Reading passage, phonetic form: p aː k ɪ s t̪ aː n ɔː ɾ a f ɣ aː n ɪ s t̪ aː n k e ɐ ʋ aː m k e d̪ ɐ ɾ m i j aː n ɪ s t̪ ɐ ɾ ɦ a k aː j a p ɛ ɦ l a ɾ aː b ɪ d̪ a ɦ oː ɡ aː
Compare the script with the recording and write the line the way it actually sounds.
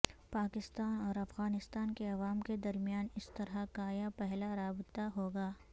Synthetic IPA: p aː k ɪ s t̪ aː n ɔː ɾ ɐ f ɣ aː n ɪ s t̪ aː n k e ɐ ʋ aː m k e d̪ ɐ ɾ m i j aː n ɪ s t̪ ɐ ɾ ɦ a k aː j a p ɛ ɦ l a ɾ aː b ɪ t̪ a ɦ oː ɡ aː